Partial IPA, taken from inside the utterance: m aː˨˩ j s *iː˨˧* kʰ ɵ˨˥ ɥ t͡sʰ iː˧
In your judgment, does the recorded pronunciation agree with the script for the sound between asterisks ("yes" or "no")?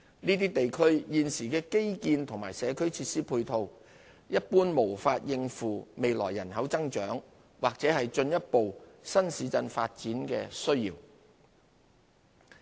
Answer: no